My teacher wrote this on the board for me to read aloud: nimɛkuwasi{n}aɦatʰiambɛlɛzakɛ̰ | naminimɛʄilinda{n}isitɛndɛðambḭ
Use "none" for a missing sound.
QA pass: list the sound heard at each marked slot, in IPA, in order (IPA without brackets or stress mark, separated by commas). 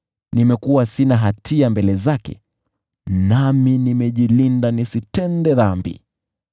n, n